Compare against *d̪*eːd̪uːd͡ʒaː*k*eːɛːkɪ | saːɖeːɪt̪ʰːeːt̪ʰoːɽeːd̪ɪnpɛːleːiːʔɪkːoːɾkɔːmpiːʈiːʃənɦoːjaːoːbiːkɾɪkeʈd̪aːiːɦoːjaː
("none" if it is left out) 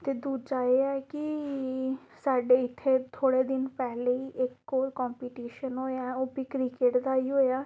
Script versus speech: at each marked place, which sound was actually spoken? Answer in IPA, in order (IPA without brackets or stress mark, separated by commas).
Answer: t̪, none